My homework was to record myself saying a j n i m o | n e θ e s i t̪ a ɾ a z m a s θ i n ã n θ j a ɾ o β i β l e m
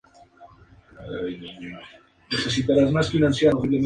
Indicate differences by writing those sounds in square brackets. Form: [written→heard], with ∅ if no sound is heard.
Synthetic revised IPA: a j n i [m→ɲ] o | n e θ e s i t̪ a ɾ a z m a s [θ→f] i n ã n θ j a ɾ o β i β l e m